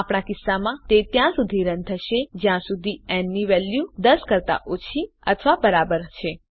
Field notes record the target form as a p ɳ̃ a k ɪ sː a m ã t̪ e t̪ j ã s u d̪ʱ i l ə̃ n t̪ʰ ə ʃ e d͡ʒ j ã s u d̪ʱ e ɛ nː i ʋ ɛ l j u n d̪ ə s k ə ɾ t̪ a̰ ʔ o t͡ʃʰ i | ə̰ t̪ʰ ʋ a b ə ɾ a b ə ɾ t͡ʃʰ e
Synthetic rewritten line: a p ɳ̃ a k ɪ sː a m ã t̪ e t̪ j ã s u d̪ʱ i ɾ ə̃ n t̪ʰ ə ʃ e d͡ʒ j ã s u d̪ʱ i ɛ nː i ʋ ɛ l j u d̪ ə s k ə ɾ t̪ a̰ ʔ o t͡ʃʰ i | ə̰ t̪ʰ ʋ a b ə ɾ a b ə ɾ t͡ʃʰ e